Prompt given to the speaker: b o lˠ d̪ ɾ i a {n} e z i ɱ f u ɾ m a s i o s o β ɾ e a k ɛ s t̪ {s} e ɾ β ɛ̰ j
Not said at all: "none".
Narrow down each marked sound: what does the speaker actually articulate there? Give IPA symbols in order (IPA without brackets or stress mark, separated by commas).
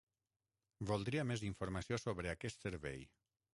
m, s